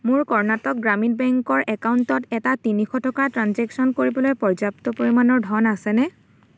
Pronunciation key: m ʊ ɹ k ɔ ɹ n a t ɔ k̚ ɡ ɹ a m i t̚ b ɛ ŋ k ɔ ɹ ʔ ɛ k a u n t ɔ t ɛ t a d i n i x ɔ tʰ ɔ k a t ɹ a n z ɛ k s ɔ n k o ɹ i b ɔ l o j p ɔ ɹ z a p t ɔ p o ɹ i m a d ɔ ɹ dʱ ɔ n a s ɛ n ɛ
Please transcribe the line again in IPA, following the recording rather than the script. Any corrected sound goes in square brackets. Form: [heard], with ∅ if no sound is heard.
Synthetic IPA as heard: m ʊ ɹ k ɔ ɹ n a t ɔ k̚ ɡ ɹ a m i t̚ b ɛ ŋ k ɔ ɹ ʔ ɛ k a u n t ɔ t ɛ t a [t] i n i x ɔ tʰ ɔ k a t ɹ a n z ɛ k s ɔ n k o ɹ i b ɔ l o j p ɔ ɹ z a p t ɔ p o ɹ i m a [n] ɔ ɹ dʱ ɔ n a s ɛ n ɛ